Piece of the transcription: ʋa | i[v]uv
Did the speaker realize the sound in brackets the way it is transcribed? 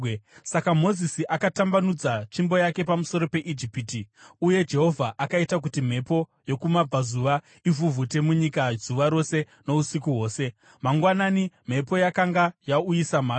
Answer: yes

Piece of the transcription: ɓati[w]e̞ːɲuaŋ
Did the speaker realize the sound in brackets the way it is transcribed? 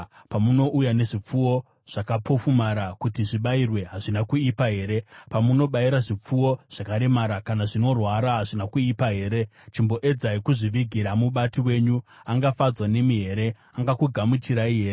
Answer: yes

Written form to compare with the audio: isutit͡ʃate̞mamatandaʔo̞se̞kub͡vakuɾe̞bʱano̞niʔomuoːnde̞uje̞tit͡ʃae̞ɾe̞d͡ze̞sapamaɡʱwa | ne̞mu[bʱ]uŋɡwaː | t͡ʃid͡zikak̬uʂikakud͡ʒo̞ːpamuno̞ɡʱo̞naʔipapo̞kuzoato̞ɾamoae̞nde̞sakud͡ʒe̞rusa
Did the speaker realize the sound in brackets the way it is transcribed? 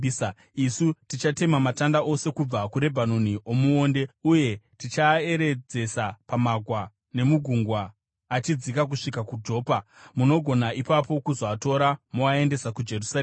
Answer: no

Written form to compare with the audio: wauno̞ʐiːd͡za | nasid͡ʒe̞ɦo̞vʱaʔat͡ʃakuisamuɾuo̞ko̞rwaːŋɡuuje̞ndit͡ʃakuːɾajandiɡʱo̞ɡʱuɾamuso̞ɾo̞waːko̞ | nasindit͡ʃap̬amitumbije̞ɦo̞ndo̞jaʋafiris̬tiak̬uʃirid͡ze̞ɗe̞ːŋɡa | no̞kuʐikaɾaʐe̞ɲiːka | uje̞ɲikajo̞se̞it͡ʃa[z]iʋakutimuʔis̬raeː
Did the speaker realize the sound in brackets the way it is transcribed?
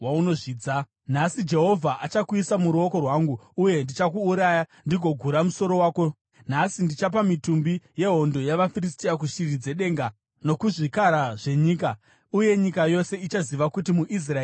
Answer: yes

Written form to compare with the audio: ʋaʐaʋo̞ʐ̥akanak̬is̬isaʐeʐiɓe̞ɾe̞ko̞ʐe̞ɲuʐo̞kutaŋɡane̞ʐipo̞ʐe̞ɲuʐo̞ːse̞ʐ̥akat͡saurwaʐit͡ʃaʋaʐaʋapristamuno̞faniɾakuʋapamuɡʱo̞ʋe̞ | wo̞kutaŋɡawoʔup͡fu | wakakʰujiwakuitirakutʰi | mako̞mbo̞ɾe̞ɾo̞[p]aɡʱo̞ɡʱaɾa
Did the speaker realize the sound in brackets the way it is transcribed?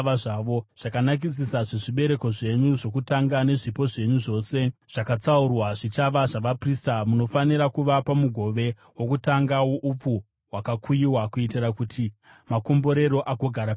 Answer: no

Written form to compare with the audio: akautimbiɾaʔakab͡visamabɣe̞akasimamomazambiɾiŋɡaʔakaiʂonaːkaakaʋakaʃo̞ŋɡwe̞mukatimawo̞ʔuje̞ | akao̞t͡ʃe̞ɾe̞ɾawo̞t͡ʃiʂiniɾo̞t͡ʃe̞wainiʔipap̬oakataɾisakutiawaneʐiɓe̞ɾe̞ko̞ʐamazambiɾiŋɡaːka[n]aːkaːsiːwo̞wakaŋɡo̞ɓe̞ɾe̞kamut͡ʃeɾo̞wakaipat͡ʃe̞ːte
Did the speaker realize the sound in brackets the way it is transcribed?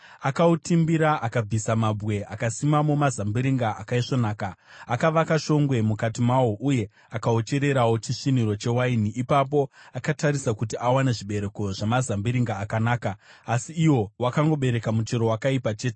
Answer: yes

